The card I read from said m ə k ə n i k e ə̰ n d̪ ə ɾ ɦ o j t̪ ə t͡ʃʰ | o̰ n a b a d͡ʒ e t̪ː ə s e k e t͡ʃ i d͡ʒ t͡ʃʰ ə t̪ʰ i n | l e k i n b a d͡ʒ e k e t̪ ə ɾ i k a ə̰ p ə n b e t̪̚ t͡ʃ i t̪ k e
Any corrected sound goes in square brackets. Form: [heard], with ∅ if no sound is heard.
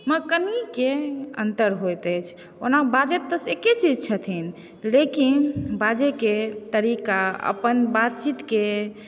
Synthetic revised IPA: m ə k ə n i k e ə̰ n [t̪] ə ɾ ɦ o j t̪ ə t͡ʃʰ | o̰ n a b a d͡ʒ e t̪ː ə s e k e t͡ʃ i d͡ʒ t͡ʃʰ ə t̪ʰ i n | l e k i n b a d͡ʒ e k e t̪ ə ɾ i k a ə̰ p ə n b [a] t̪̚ t͡ʃ i t̪ k e